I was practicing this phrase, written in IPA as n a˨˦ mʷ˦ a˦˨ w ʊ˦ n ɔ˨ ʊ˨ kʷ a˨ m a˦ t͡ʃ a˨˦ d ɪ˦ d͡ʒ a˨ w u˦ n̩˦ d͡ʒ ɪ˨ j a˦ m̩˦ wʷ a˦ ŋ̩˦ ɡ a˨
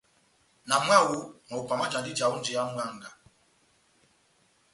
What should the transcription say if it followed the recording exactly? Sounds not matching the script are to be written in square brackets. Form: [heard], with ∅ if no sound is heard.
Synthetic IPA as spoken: n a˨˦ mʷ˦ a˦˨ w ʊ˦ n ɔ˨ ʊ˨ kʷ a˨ m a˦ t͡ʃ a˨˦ d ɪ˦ d͡ʒ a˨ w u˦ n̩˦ d͡ʒ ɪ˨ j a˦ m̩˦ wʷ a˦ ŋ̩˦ ɡ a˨